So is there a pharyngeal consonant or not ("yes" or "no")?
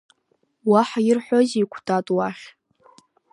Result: yes